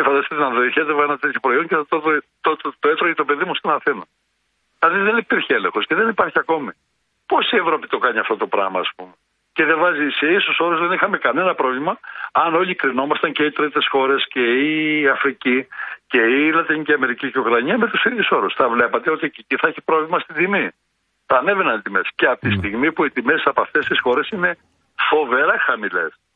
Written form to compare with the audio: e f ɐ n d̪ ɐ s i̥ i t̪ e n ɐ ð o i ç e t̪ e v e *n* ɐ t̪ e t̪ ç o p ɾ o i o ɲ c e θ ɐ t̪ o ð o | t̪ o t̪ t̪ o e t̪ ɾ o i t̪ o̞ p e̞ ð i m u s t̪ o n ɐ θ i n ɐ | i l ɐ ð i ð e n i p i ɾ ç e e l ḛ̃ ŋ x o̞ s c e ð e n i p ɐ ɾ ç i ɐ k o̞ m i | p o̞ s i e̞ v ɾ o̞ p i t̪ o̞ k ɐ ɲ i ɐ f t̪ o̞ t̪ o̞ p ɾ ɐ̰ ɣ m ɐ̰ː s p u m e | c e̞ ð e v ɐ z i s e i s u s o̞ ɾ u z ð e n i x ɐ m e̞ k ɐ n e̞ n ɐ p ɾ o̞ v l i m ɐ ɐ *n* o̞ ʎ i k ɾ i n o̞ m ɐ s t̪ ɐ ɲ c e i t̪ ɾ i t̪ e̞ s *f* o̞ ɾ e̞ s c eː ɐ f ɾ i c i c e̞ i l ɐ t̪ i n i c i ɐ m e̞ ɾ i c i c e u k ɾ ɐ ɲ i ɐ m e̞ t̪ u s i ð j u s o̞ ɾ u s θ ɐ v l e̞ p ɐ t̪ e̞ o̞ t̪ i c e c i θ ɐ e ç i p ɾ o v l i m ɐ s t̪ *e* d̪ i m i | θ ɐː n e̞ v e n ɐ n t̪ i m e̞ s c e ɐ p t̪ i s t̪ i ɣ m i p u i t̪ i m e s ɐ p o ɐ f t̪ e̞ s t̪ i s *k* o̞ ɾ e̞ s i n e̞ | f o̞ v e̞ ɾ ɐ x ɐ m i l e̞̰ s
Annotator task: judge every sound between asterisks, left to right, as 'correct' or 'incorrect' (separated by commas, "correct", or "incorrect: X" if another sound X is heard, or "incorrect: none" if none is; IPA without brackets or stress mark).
correct, correct, incorrect: x, incorrect: i, incorrect: x